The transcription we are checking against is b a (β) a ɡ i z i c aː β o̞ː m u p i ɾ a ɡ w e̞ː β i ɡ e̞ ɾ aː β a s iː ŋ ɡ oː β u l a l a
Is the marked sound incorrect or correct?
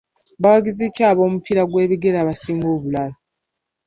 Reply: incorrect